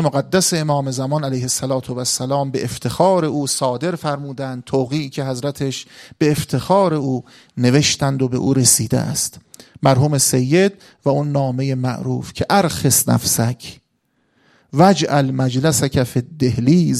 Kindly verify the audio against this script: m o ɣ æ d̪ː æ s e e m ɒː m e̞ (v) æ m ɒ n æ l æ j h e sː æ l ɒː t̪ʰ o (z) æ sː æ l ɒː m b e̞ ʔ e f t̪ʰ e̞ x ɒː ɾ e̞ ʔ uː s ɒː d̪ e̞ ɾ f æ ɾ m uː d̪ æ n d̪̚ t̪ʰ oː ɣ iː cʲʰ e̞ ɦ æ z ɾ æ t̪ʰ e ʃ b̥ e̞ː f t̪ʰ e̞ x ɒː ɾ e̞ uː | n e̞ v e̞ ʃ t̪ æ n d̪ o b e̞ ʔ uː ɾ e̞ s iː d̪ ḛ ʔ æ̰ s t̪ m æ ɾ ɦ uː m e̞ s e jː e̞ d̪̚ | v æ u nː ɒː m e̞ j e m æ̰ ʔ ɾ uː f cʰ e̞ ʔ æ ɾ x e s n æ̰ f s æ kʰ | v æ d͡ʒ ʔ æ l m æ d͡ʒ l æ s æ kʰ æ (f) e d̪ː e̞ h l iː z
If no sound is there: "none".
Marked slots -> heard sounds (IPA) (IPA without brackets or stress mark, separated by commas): z, v, f